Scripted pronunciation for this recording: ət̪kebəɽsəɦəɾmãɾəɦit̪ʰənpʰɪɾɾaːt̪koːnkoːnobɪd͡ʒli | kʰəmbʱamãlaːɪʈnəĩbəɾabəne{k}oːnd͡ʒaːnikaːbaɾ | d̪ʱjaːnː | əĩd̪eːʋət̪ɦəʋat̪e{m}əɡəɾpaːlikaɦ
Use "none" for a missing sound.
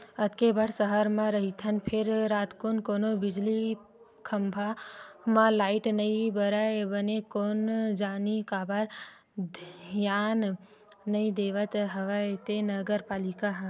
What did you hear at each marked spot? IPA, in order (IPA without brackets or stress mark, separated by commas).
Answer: k, n